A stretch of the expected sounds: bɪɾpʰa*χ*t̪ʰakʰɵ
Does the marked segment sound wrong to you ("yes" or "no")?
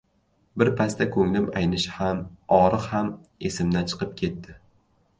yes